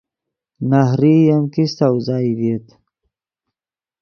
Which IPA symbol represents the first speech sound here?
n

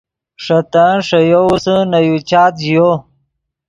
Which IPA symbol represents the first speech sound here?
ʂ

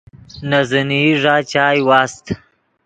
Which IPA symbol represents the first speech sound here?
n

